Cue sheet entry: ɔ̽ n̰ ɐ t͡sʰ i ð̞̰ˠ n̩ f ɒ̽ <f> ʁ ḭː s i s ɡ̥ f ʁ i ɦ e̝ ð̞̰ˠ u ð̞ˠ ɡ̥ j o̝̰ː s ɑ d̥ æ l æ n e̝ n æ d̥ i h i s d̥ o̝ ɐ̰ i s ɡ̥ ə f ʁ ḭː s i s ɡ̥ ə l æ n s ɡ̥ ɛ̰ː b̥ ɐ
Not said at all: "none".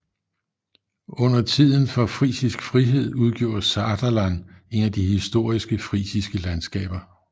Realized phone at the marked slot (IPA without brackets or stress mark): f